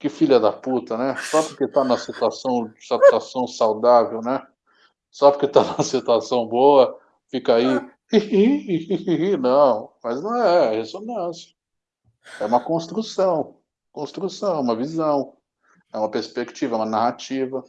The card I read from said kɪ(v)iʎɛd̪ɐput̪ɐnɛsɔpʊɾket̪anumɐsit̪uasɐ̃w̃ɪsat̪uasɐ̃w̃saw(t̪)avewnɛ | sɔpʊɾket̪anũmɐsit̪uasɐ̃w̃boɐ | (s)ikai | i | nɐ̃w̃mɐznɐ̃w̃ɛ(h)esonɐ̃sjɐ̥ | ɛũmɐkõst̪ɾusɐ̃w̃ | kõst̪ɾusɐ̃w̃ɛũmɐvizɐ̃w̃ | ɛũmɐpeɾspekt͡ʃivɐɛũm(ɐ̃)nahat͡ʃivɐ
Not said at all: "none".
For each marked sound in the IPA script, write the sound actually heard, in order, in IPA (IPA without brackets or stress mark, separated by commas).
f, d̪, f, h, ɐ